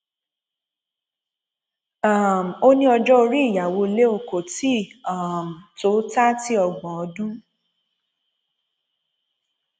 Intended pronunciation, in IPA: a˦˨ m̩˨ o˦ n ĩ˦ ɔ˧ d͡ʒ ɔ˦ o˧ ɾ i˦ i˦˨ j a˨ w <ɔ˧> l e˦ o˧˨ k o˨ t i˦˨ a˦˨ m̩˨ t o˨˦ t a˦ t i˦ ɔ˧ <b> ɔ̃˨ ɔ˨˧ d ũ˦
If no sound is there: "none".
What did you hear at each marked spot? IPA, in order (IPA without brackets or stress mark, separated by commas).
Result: o˧, ɡ͡b